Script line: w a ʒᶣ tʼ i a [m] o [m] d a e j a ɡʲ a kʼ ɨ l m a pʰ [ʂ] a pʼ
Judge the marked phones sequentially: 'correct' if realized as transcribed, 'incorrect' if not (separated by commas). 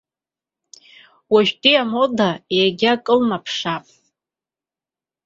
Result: correct, incorrect, correct